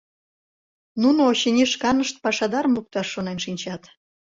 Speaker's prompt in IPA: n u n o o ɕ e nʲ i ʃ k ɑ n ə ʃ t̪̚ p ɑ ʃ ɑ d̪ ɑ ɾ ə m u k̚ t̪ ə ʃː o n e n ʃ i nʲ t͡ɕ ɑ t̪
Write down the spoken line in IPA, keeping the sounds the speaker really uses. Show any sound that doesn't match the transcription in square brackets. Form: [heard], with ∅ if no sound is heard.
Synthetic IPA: n u n o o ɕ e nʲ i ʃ k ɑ n ə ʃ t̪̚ p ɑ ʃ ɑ d̪ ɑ ɾ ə m u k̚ t̪ [ɑ] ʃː o n e n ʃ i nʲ t͡ɕ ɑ t̪